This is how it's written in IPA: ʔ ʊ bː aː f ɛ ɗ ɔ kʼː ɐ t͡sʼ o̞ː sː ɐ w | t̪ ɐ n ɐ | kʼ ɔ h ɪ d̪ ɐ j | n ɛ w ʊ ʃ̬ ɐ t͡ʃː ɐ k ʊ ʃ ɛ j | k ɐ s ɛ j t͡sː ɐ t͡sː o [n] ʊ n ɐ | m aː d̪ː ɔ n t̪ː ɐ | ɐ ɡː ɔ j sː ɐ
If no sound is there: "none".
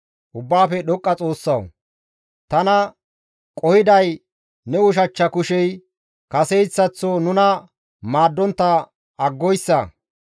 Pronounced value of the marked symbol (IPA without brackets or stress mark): n